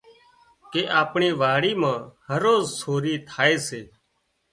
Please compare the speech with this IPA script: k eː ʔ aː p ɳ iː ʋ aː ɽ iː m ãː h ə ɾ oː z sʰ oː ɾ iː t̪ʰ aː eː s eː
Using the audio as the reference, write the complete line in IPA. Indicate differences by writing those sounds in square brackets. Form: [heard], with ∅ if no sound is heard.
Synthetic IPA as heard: k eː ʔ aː p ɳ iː ʋ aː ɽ iː m ãː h ə ɾ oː z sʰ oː ɾ iː t̪ʰ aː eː s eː